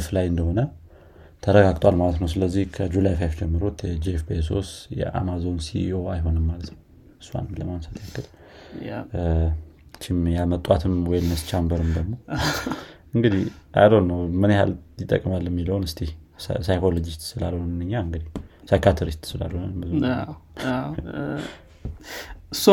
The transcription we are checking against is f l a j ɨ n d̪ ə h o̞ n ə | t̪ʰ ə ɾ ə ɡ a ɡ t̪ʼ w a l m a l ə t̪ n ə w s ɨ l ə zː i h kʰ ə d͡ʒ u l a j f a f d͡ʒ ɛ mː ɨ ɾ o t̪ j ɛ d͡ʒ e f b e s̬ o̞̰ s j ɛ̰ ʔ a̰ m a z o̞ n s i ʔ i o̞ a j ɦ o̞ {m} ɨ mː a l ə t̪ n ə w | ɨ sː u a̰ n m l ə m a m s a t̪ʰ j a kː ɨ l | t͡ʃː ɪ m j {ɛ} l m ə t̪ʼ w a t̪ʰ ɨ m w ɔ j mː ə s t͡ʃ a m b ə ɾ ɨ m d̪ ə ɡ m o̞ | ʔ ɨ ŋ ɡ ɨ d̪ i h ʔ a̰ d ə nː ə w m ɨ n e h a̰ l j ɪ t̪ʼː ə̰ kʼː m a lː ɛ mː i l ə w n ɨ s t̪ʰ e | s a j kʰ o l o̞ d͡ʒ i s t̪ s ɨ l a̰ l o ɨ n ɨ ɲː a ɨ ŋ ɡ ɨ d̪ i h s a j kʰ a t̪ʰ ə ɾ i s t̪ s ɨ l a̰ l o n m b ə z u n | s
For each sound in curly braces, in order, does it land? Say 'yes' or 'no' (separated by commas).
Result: no, no